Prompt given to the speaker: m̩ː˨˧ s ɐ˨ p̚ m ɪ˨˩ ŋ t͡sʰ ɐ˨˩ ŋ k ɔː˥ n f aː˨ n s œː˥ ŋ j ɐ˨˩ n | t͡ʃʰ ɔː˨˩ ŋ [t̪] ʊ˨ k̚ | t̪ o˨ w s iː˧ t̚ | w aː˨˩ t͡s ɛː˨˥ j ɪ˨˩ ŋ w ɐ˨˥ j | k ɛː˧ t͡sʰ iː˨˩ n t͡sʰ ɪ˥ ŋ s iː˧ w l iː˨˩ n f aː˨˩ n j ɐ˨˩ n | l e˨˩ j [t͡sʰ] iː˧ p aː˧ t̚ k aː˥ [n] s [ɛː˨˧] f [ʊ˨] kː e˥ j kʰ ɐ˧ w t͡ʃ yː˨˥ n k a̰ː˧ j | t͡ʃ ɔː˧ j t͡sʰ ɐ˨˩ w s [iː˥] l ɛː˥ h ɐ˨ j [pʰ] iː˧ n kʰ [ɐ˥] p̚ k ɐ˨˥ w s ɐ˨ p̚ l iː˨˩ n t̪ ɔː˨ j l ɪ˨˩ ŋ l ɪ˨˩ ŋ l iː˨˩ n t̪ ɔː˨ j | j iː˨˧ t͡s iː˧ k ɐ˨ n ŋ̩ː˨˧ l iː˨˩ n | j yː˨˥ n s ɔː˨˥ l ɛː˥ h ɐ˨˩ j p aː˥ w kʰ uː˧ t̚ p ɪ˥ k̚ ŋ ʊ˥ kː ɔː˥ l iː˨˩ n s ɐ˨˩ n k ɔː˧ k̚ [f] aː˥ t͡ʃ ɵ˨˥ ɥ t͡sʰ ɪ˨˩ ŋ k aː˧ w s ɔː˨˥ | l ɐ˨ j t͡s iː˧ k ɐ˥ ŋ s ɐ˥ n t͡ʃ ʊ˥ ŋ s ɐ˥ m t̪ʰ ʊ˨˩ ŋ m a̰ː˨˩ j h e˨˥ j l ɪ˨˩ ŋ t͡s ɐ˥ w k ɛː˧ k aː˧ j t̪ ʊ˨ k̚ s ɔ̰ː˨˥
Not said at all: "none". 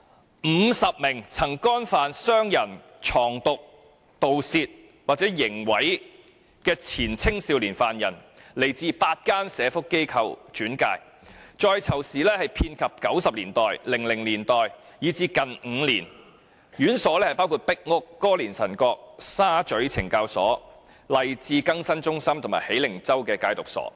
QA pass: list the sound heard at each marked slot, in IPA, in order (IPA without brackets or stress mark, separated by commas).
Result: t̪, t͡s, n, ɛː˨˧, ʊ˥, iː˨˩, pʰ, ɐ˨, s